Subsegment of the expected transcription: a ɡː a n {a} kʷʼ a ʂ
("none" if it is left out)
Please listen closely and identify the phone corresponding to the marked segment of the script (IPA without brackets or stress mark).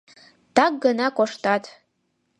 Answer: a